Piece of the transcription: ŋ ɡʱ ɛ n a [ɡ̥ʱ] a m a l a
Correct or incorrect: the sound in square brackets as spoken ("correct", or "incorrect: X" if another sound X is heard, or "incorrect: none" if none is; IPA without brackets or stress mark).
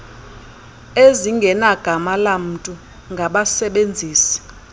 correct